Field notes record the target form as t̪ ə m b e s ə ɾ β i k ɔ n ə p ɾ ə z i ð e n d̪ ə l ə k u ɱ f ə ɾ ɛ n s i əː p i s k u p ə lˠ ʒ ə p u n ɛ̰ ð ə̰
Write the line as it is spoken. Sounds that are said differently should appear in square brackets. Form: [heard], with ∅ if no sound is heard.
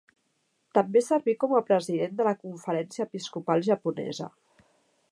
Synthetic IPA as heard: t̪ ə m b e s ə ɾ β i k ɔ [m] ə p ɾ ə z i ð e n d̪ ə l ə k u ɱ f ə ɾ ɛ n s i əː p i s k u p [a] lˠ ʒ ə p u n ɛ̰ [z] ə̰